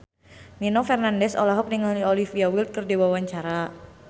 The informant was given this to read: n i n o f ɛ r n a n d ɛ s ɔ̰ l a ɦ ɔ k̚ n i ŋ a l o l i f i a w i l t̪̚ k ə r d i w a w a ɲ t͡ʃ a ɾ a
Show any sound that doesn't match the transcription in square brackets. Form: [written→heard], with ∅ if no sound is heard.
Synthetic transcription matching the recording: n i n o f ɛ r n a n d ɛ s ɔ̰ l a ɦ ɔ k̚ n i ŋ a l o l i f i a w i l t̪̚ k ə r d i w a w a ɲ t͡ʃ a ɾ a